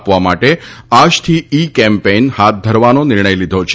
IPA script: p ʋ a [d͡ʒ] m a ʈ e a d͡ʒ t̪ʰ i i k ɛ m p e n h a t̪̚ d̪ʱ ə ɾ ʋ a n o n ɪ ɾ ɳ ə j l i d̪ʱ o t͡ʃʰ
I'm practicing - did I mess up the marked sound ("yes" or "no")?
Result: yes